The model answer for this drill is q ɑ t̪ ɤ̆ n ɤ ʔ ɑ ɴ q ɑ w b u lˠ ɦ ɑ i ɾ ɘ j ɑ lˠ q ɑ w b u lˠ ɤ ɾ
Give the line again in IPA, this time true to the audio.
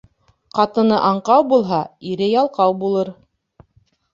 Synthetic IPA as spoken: q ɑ t̪ ɤ̆ n ɤ ʔ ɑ ɴ q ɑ w b u lˠ ɦ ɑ i ɾ ɘ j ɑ lˠ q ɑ w b u lˠ ɤ ɾ